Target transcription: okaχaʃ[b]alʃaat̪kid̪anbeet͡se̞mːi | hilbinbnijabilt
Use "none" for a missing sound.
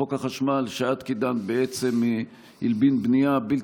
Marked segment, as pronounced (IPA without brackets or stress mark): m